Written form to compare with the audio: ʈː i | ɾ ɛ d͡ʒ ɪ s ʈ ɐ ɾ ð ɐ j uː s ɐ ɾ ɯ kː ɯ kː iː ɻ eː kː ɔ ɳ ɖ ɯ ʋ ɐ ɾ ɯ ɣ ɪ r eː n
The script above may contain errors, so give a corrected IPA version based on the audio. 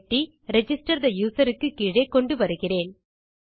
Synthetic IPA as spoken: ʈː i | ɾ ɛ d͡ʒ ɪ s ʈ ɐ ɾ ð ɐ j uː s ɐ ɾ ɯ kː ɯ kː iː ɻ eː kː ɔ ɳ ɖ ɯ ʋ ɐ ɾ ɯ ɣ ɪ r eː n